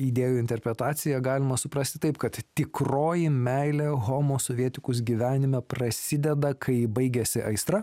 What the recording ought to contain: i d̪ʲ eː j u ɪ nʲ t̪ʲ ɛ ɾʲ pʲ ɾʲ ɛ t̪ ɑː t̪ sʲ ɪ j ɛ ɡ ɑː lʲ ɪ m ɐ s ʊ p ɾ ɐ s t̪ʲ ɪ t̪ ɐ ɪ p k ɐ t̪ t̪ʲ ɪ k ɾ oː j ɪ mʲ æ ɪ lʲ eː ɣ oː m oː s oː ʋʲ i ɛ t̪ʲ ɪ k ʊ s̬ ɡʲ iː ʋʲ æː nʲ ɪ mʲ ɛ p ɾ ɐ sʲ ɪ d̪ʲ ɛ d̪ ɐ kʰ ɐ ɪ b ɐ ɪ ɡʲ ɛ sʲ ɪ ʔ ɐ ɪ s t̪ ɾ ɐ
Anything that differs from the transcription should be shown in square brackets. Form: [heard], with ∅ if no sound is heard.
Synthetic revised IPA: i d̪ʲ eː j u ɪ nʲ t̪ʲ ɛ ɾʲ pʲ ɾʲ ɛ t̪ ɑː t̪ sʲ ɪ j ɛ ɡ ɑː lʲ ɪ m ɐ s ʊ p ɾ ɐ s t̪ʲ ɪ t̪ ɐ ɪ p k ɐ t̪ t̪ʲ ɪ k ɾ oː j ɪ mʲ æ ɪ lʲ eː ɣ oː m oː s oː ʋʲ i ɛ t̪ʲ ɪ k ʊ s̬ ɡʲ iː ʋʲ æː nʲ ɪ mʲ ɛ p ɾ ɐ sʲ ɪ d̪ʲ ɛ d̪ ɐ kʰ ɐ ɪ b ɐ ɪ ɡʲ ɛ sʲ ɪ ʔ ɐ ɪ s t̪ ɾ ɐ

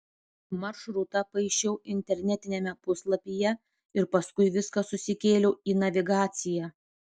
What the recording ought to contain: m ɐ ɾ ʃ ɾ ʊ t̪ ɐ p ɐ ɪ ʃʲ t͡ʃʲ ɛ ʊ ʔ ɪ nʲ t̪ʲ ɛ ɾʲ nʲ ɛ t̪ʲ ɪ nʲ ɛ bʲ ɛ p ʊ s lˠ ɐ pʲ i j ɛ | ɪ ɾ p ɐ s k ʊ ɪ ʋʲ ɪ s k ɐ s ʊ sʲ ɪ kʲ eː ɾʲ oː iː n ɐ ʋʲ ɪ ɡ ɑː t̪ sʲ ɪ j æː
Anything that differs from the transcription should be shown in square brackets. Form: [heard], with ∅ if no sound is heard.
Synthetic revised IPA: m ɐ ɾ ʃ ɾ ʊ t̪ ɐ p ɐ ɪ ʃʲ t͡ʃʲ ɛ ʊ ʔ ɪ nʲ t̪ʲ ɛ ɾʲ nʲ ɛ t̪ʲ ɪ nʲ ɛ [mʲ] ɛ p ʊ s lˠ ɐ pʲ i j ɛ | ɪ ɾ p ɐ s k ʊ ɪ ʋʲ ɪ s k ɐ s ʊ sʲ ɪ kʲ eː [lʲ] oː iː n ɐ ʋʲ ɪ ɡ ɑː t̪ sʲ ɪ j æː

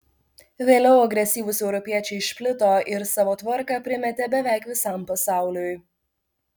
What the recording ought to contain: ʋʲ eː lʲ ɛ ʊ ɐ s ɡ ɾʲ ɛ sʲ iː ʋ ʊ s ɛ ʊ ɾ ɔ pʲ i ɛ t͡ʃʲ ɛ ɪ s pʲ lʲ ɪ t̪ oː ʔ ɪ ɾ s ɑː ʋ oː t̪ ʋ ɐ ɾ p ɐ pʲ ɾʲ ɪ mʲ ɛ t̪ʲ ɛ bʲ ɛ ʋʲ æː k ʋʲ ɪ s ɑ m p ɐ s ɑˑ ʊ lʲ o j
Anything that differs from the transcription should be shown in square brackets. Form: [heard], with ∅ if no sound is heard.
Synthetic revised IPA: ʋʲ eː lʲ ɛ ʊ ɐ [∅] ɡ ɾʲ ɛ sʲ iː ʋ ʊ s ɛ ʊ ɾ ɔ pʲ i ɛ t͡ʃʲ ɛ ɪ [ʃ] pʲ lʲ ɪ t̪ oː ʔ ɪ ɾ s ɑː ʋ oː t̪ ʋ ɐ ɾ [k] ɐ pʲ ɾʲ ɪ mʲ ɛ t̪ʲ ɛ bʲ ɛ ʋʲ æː k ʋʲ ɪ s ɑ m p ɐ s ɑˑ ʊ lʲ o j

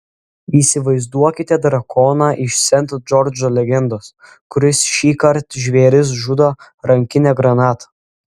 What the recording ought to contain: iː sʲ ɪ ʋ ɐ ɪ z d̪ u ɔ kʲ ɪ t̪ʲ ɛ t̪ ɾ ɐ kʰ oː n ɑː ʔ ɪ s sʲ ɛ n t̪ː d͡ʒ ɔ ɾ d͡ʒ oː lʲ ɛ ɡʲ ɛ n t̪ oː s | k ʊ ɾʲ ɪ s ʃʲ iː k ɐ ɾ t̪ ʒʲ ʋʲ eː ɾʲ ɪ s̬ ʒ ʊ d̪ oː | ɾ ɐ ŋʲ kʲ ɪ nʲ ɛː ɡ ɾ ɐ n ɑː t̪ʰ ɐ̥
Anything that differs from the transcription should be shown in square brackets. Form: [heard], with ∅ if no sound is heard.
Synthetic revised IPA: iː sʲ ɪ ʋ ɐ ɪ z d̪ u ɔ kʲ ɪ t̪ʲ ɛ [d̪] ɾ ɐ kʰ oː n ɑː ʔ ɪ [ʃ] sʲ ɛ n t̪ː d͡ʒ ɔ ɾ d͡ʒ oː lʲ ɛ ɡʲ ɛ n [d̪] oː s | k ʊ ɾʲ ɪ s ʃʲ iː k ɐ ɾ t̪ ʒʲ ʋʲ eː ɾʲ ɪ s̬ ʒ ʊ d̪ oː | ɾ ɐ ŋʲ kʲ ɪ nʲ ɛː ɡ ɾ ɐ n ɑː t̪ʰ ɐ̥

